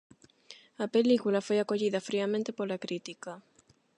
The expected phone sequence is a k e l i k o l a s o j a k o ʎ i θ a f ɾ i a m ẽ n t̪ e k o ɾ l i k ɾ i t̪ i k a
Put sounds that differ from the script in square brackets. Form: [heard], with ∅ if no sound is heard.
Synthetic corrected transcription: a [p] e l i k [u] l a [f] o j a k o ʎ i [ð] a f ɾ i a m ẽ n t̪ e [p] o ɾ l [a] k ɾ i t̪ i k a

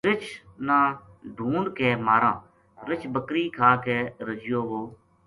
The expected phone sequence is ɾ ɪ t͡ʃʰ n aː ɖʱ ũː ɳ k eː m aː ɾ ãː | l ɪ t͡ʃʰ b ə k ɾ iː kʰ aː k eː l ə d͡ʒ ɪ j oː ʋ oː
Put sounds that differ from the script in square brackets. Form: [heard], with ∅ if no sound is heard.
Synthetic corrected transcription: ɾ ɪ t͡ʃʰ n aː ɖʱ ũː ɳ k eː m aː ɾ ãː | [ɾ] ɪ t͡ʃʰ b ə k ɾ iː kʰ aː k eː [ɾ] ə d͡ʒ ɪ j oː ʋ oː

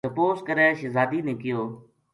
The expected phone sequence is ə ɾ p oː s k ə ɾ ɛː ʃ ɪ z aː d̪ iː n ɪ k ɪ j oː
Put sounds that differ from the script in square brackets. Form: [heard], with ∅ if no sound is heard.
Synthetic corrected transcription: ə [∅] p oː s k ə ɾ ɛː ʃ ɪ z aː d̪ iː n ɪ k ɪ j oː

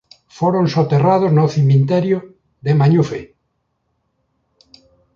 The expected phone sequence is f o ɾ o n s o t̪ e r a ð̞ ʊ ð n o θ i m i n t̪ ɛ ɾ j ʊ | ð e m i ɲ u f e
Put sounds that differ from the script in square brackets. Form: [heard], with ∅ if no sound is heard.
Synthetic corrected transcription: f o ɾ o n s o t̪ e r a ð̞ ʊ [z] n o θ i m i n t̪ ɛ ɾ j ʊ | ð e m [a] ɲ u f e

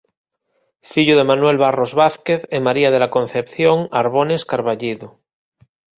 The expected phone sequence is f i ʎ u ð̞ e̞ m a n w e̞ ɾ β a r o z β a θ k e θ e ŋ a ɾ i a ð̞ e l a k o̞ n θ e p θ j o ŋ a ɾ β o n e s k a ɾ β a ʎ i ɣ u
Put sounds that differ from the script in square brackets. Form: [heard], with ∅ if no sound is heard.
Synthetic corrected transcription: f i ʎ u ð̞ e̞ m a n w e̞ [l] β a r o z β a θ k e θ e [m] a ɾ i a ð̞ e l a k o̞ n θ e p θ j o ŋ a ɾ β o n e s k a ɾ β a ʎ i [ð] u

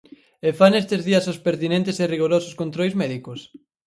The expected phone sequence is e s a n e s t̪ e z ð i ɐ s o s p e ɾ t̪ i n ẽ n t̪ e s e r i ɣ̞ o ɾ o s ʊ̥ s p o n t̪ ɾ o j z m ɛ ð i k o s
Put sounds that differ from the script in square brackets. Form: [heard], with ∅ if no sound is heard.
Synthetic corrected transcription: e [f] a n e s t̪ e z ð i ɐ s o s p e ɾ t̪ i n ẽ n t̪ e s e r i ɣ̞ o ɾ o s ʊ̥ s [k] o n t̪ ɾ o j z m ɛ ð i k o s

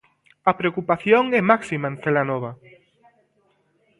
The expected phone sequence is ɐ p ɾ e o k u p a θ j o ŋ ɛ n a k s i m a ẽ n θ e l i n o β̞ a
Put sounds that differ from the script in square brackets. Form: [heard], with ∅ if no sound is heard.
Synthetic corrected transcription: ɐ p ɾ e o k u p a θ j o ŋ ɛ [m] a k s i m a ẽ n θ e l [a] n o β̞ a

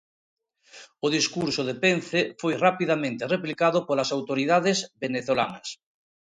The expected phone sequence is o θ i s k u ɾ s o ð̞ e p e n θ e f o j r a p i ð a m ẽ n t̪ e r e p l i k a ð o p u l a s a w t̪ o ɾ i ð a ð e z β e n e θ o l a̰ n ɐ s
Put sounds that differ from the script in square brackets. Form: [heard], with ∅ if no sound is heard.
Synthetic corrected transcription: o [ð] i s k u ɾ s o ð̞ e p e n θ e f o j r a p i ð a m ẽ n t̪ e r e p l i k a ð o p [o] l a s a w t̪ o ɾ i ð a ð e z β e n e θ o l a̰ n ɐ s

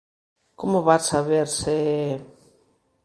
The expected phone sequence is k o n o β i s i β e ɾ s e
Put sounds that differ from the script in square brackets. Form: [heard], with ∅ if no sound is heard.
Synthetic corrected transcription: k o [m] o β [a] s [a] β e ɾ s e

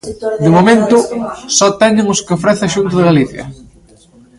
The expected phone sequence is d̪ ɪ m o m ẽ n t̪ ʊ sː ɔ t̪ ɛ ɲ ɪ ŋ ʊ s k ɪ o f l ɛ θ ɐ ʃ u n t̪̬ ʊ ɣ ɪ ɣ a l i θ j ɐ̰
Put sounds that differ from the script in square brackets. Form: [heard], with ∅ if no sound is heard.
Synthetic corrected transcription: d̪ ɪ m o m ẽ n t̪ ʊ [s] ɔ t̪ ɛ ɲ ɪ ŋ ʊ s k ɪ o f [ɾ] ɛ θ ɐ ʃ u n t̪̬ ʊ [ð] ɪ ɣ a l i θ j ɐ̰

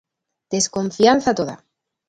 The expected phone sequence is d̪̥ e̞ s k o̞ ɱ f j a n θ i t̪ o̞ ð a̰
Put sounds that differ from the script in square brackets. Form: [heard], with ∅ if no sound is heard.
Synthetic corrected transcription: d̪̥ e̞ s k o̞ ɱ f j a n θ [a] t̪ o̞ ð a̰

